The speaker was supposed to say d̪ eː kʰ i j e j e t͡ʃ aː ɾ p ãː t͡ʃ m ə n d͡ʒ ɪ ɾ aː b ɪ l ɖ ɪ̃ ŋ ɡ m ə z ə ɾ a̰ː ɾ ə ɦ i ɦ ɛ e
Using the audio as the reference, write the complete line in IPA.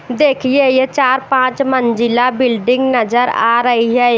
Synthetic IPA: d̪ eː kʰ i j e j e t͡ʃ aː ɾ p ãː t͡ʃ m ə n d͡ʒ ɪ l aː b ɪ l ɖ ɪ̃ ŋ ɡ n ə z ə ɾ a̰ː ɾ ə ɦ i ɦ ɛ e